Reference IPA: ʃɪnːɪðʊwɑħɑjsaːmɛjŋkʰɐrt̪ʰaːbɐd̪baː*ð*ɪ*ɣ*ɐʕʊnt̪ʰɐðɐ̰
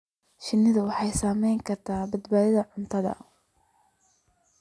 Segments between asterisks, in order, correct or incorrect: correct, incorrect

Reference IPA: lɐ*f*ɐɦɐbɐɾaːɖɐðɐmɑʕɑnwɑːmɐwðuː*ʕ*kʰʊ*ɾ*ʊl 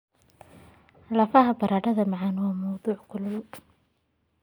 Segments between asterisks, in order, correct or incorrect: correct, correct, incorrect

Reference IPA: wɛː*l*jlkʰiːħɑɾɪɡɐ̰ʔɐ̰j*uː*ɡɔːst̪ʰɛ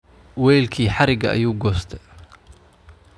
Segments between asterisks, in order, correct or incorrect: incorrect, correct

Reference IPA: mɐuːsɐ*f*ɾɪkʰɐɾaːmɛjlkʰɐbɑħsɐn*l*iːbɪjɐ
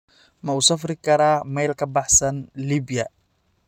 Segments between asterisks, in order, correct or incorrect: correct, correct

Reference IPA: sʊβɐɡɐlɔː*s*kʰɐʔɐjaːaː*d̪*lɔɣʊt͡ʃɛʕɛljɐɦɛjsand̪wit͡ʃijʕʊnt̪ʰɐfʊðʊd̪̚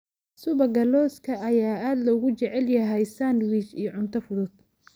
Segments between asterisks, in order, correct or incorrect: correct, correct

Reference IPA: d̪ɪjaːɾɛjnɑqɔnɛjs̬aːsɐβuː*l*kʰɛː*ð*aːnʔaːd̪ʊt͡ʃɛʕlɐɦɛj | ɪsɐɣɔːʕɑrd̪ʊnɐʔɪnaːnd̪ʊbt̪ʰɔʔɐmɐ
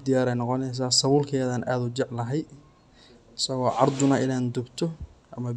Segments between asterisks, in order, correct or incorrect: correct, correct

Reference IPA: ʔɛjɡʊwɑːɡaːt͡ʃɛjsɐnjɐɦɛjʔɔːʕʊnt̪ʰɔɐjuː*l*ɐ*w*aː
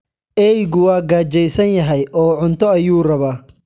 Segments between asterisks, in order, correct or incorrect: incorrect, incorrect

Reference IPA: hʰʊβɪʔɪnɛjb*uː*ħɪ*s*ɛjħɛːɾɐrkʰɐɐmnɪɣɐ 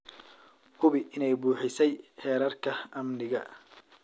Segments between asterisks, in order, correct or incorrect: correct, correct

